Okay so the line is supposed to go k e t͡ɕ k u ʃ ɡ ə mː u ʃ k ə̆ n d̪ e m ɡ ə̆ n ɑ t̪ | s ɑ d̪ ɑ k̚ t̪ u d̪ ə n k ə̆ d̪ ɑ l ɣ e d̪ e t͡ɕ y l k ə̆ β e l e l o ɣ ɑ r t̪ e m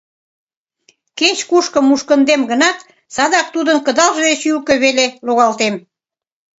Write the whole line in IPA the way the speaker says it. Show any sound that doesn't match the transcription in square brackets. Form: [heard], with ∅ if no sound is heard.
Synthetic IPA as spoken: k e t͡ɕ k u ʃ [k] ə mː u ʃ k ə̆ n d̪ e m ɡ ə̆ n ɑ t̪ | s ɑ d̪ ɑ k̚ t̪ u d̪ ə n k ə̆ d̪ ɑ l [ʒ] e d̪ e t͡ɕ y l k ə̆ β e l e l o ɣ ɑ [l] t̪ e m